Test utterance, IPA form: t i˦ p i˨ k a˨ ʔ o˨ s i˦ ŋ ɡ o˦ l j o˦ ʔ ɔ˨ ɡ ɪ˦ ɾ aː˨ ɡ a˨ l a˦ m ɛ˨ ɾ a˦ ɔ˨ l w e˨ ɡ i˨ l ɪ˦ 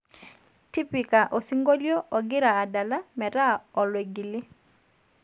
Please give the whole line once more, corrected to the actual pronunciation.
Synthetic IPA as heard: t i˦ p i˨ k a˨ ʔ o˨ s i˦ ŋ ɡ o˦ l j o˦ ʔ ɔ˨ ɡ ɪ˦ ɾ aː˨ d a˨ l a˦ m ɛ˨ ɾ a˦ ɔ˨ l w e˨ ɡ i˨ l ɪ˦